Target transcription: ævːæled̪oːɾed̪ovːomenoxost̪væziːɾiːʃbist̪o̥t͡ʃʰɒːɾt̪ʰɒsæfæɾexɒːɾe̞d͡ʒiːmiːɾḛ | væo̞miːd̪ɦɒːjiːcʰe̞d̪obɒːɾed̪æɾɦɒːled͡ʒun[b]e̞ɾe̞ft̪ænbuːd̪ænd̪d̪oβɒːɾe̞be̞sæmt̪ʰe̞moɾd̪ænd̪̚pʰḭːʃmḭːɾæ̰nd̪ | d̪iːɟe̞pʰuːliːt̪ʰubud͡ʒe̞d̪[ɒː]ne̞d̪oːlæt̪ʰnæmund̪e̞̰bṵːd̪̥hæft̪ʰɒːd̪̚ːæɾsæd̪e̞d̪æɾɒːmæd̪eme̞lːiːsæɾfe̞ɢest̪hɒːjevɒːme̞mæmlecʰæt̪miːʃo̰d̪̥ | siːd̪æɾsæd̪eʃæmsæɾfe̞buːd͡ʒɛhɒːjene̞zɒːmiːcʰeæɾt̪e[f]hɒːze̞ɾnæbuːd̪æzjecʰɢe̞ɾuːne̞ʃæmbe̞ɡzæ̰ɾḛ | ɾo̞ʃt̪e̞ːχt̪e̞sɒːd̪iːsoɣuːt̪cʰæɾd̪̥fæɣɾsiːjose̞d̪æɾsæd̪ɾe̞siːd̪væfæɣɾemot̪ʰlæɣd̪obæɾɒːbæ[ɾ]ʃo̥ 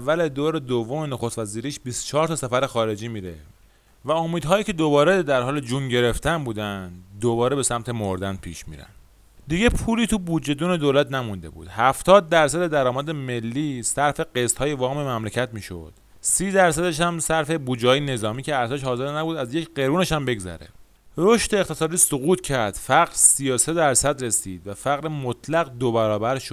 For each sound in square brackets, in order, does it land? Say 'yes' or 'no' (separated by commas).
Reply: no, no, no, yes